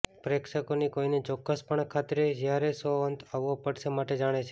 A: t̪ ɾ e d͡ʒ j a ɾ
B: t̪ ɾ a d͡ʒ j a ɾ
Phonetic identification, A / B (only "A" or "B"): A